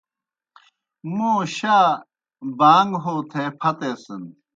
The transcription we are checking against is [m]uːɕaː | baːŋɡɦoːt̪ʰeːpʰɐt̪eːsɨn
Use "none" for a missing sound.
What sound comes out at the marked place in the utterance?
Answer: m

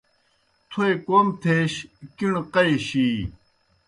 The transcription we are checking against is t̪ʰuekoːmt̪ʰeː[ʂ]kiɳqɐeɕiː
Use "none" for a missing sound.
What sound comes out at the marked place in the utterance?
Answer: ɕ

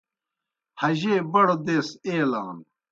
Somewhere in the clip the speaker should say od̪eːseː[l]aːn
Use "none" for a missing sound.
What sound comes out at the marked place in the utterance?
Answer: l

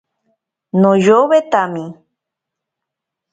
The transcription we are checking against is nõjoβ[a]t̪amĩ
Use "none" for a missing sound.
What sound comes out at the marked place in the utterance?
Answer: e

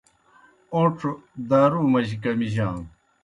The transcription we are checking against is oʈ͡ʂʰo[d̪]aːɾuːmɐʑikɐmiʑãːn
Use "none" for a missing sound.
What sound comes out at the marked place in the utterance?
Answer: d̪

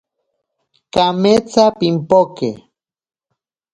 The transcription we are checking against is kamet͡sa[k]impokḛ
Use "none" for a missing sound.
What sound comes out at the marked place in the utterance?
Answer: p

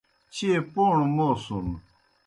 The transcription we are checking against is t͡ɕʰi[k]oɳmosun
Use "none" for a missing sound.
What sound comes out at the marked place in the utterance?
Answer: p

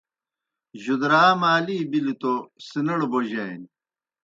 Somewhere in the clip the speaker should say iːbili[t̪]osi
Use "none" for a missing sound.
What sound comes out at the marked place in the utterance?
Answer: t̪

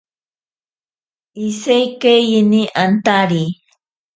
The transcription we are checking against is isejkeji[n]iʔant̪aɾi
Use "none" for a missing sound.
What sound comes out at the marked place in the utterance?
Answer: n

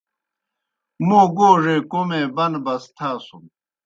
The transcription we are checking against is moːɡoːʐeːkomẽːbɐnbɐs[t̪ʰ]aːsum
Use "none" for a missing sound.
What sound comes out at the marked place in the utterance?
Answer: t̪ʰ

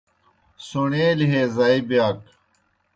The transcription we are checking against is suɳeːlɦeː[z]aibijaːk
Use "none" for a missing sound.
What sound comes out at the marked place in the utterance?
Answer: z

